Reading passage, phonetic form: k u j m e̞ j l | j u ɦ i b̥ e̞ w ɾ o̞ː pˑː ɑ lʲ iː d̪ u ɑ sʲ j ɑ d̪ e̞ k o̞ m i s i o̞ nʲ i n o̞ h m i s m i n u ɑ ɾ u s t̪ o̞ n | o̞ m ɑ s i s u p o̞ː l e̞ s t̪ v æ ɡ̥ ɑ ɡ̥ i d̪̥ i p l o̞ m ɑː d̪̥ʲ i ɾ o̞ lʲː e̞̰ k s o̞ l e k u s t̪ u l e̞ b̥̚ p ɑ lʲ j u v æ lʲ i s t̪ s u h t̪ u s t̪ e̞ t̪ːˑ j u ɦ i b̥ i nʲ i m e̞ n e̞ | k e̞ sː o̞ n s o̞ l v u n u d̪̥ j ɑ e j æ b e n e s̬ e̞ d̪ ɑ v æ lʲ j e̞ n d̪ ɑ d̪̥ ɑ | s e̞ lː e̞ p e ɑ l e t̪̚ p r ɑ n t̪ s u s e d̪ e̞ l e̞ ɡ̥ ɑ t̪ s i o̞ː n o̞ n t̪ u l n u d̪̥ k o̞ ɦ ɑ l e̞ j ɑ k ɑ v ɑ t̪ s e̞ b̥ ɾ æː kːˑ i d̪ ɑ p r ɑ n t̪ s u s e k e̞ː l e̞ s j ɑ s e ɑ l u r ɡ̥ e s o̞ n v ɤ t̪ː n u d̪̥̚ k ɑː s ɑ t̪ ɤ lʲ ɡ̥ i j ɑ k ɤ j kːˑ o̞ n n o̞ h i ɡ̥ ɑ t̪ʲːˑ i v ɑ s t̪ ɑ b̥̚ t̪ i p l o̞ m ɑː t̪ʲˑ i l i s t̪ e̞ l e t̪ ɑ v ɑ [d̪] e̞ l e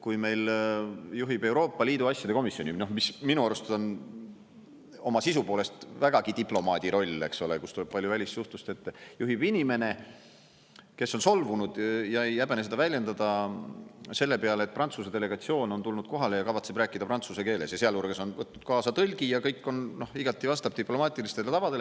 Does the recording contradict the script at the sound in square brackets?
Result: no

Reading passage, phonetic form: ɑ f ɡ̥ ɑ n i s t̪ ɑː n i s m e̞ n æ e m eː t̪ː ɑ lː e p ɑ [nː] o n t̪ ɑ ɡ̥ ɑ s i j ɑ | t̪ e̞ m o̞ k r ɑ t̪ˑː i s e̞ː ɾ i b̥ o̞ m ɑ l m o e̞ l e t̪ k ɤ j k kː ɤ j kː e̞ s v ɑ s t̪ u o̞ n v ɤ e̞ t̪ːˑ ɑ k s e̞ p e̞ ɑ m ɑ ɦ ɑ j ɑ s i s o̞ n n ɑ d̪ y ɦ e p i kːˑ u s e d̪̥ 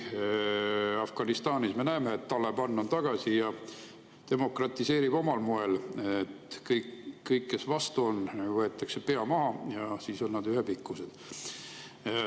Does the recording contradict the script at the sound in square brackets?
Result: no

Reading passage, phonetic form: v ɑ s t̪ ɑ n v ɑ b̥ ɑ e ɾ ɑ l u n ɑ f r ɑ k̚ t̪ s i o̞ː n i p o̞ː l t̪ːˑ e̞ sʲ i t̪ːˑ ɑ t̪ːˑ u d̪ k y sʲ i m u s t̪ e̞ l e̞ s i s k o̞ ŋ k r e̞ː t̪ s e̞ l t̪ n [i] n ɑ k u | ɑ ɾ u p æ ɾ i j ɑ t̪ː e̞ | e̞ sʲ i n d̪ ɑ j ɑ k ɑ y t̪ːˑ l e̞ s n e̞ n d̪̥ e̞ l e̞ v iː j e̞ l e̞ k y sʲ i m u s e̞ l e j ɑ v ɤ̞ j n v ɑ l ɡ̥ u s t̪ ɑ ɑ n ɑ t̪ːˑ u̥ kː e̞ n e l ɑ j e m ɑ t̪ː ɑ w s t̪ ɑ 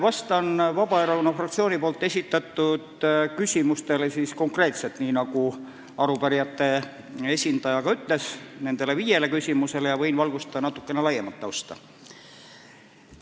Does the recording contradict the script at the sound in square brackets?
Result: yes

